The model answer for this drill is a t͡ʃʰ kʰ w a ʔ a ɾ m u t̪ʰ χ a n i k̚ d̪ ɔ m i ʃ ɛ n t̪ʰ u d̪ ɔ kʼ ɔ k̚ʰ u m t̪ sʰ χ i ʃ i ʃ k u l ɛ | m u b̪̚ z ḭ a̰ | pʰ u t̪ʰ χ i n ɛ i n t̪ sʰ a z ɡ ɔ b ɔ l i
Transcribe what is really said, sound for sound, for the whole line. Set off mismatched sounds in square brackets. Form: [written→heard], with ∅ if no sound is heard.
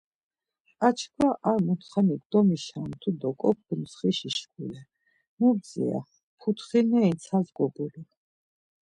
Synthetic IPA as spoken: a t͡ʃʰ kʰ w a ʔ a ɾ m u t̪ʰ χ a n i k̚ d̪ ɔ m i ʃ [ɛ→a] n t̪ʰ u d̪ ɔ kʼ ɔ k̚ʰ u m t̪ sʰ χ i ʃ i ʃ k u l ɛ | m u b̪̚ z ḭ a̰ | pʰ u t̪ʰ χ i n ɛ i n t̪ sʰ a z ɡ ɔ b [ɔ→u] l i